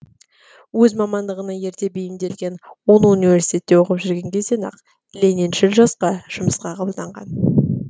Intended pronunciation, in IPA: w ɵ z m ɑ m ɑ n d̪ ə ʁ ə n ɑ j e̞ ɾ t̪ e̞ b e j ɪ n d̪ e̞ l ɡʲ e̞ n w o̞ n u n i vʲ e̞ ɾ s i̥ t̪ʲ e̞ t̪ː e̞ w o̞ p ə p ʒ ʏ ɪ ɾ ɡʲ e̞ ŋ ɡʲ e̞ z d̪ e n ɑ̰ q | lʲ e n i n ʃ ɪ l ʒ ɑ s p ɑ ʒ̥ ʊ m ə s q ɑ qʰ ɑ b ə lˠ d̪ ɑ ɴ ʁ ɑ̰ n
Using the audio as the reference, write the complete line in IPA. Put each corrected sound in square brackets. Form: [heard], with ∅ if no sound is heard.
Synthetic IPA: w ɵ z m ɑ m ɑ n d̪ ə ʁ ə n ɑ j e̞ ɾ t̪ e̞ b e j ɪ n d̪ e̞ l ɡʲ e̞ n w o̞ n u n i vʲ e̞ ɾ s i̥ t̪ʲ e̞ t̪ː e̞ w o̞ [q] ə p ʒ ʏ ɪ ɾ ɡʲ e̞ ŋ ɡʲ e̞ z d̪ e n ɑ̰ q | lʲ e n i n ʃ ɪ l ʒ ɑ s [q] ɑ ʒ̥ ʊ m ə s q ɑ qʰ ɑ b ə lˠ d̪ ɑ ɴ ʁ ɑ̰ n

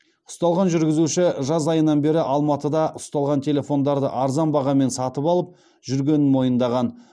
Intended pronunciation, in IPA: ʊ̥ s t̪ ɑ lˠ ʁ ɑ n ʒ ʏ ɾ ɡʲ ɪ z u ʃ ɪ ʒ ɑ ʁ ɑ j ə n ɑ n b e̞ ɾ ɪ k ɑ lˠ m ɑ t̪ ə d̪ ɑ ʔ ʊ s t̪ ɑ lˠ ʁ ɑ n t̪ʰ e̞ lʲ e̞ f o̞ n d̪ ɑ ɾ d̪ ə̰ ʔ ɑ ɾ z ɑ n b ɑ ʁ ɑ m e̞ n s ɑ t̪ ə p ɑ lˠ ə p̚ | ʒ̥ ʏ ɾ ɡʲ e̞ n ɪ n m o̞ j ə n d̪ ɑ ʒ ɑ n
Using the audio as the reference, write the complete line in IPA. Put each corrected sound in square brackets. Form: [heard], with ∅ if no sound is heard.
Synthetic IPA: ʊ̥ s t̪ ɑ lˠ ʁ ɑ n ʒ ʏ ɾ ɡʲ ɪ z u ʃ ɪ ʒ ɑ [z] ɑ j ə n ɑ n b e̞ ɾ ɪ [ʔ] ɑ lˠ m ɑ t̪ ə d̪ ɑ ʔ ʊ s t̪ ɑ lˠ ʁ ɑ n t̪ʰ e̞ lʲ e̞ f o̞ n d̪ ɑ ɾ d̪ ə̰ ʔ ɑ ɾ z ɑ n b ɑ ʁ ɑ m e̞ n s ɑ t̪ ə p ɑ lˠ ə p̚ | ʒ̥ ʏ ɾ ɡʲ e̞ n ɪ n m o̞ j ə n d̪ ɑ [ʁ] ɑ n

